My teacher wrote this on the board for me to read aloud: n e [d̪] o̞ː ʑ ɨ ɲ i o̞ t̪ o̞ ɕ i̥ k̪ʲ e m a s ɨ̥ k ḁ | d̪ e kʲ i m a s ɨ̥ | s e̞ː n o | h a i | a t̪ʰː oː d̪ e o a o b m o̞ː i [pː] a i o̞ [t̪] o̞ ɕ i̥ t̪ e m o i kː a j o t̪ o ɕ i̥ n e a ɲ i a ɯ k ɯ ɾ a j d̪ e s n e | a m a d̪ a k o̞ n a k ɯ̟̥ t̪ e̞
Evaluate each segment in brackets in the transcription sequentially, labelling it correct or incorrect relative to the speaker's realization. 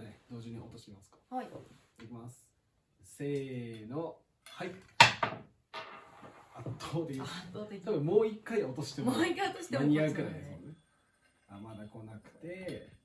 correct, incorrect: kː, correct

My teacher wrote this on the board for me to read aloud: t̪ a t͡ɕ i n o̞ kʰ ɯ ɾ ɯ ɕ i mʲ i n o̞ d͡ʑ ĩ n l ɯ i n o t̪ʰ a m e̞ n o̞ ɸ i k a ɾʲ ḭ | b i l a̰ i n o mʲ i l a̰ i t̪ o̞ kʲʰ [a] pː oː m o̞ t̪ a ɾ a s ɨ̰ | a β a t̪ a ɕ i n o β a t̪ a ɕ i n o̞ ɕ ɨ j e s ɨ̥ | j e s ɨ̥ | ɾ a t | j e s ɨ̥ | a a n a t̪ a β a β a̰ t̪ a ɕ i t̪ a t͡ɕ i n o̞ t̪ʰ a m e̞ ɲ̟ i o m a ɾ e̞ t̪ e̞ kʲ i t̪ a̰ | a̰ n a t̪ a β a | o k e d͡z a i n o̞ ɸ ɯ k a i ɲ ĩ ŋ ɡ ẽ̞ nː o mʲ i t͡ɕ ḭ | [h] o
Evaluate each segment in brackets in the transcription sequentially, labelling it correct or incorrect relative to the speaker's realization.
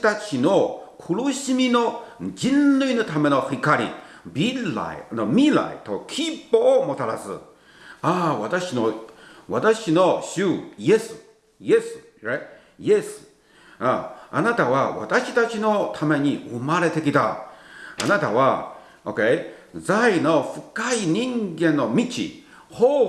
incorrect: i, correct

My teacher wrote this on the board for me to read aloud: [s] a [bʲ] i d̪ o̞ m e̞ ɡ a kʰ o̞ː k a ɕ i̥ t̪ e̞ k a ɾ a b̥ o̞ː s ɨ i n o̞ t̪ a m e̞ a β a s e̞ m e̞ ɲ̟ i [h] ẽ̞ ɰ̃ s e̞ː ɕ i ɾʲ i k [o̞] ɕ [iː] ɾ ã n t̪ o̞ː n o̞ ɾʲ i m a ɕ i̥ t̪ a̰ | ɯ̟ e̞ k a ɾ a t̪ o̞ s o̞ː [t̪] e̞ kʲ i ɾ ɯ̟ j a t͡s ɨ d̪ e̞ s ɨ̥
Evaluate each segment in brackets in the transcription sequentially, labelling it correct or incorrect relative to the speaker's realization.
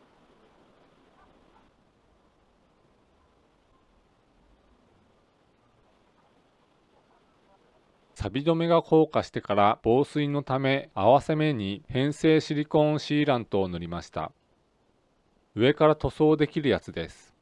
correct, correct, correct, incorrect: õ̞, correct, incorrect: d̪

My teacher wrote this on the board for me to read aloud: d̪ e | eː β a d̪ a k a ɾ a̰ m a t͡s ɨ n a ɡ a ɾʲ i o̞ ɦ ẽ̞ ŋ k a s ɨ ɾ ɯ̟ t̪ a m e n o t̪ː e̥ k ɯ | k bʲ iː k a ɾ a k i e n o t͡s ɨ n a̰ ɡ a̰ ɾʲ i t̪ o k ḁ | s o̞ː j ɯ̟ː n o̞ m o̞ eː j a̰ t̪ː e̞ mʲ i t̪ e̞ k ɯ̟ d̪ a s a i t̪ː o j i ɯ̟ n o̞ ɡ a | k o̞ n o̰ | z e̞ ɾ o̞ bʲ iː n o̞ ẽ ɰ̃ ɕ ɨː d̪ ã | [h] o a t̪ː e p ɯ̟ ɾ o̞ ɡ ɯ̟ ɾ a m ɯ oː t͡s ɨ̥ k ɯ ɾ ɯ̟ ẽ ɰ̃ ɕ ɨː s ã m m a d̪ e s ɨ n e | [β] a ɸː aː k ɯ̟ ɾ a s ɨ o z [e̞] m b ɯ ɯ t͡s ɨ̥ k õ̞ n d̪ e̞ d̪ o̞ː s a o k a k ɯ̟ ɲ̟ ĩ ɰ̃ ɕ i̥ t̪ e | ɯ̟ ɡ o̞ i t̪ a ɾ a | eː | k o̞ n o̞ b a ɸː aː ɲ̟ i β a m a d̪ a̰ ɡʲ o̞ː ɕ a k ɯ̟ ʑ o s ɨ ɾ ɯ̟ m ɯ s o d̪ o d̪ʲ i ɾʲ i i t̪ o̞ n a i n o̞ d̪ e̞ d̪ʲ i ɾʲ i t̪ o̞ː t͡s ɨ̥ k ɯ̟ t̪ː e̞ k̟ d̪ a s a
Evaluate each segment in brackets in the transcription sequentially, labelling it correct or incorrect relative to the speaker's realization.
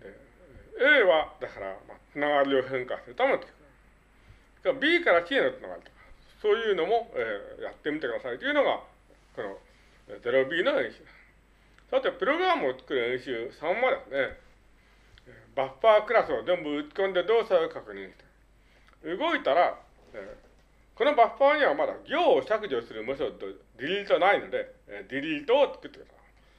incorrect: s, incorrect: b, incorrect: ẽ̞

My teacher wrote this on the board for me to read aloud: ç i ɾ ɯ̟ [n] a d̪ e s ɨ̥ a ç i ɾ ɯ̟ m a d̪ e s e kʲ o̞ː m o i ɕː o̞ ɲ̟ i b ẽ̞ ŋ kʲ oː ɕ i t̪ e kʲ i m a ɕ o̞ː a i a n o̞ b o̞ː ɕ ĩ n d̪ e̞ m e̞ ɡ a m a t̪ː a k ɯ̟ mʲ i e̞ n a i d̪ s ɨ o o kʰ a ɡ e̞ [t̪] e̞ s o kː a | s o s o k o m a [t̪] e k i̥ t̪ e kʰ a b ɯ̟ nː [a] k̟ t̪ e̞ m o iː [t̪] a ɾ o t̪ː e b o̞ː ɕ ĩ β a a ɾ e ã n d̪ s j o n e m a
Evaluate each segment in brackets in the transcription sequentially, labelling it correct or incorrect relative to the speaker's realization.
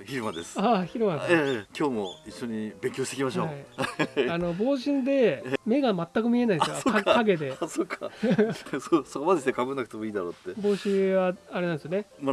incorrect: m, incorrect: d̪, incorrect: d̪, correct, incorrect: d̪

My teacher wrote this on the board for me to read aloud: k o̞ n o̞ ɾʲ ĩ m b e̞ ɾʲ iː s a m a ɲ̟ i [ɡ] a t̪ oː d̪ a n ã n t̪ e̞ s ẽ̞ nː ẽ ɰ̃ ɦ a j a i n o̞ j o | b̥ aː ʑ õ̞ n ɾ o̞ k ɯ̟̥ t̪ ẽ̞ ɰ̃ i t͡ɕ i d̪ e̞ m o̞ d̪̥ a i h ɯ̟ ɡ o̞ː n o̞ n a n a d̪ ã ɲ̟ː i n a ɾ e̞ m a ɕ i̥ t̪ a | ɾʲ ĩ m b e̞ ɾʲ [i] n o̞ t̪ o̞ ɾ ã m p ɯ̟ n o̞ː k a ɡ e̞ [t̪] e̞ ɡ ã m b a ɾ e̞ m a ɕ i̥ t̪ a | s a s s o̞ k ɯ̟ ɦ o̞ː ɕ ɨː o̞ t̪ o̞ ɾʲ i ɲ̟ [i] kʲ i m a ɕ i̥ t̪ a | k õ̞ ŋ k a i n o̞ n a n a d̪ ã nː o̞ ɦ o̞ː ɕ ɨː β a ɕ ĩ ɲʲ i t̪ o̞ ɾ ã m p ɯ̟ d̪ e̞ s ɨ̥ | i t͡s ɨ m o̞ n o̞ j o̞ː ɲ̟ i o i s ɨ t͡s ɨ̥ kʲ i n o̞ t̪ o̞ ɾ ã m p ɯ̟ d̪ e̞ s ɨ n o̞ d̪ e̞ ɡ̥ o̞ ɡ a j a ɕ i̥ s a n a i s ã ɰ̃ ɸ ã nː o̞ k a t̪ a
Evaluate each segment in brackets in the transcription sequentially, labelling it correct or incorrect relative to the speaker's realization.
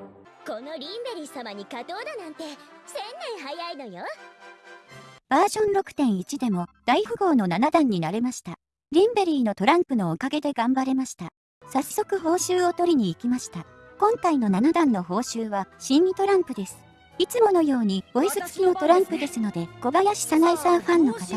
incorrect: k, incorrect: iː, incorrect: d̪, incorrect: iː

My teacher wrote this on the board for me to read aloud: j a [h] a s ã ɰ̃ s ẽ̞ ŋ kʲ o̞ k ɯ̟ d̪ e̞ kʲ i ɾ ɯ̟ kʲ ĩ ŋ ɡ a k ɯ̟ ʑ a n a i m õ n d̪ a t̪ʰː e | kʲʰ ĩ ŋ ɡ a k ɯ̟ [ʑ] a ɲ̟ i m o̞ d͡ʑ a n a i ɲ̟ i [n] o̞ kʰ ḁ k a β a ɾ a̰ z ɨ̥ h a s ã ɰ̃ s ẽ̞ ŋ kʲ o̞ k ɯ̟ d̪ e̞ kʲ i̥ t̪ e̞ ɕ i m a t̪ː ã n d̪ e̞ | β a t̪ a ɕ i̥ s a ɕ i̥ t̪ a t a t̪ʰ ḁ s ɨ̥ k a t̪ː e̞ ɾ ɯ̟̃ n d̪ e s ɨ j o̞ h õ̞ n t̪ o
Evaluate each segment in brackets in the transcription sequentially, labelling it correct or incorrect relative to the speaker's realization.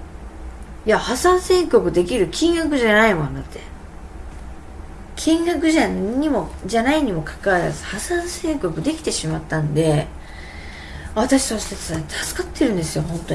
correct, correct, incorrect: m

